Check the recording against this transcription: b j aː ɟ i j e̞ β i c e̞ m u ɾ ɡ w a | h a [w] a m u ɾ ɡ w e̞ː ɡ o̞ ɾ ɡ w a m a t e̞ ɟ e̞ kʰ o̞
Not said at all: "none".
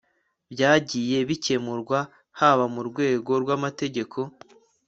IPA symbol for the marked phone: β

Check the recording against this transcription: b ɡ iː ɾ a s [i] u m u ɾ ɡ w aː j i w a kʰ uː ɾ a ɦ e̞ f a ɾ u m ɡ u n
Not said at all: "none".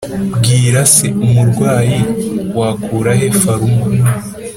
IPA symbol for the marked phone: e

